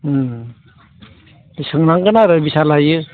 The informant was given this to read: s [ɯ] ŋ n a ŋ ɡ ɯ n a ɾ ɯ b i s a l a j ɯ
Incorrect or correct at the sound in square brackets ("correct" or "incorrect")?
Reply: correct